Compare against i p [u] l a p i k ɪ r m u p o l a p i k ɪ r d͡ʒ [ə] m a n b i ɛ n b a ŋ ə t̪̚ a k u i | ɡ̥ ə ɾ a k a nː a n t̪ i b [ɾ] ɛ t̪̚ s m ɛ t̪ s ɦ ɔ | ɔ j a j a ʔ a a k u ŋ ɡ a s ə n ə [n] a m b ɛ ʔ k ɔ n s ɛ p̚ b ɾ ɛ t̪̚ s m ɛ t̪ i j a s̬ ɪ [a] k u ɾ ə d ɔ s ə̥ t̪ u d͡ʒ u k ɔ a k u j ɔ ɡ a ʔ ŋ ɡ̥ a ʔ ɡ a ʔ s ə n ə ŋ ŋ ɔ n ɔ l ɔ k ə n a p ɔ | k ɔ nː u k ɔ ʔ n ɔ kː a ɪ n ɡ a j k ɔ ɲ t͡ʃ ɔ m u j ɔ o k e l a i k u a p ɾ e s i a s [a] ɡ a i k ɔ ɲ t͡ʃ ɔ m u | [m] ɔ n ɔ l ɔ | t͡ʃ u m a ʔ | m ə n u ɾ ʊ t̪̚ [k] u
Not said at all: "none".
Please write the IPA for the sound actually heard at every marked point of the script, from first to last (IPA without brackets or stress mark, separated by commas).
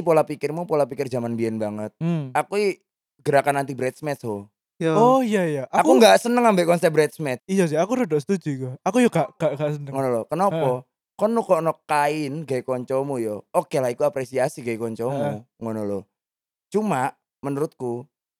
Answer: o, a, ɾ, ŋ, a, i, ŋ, k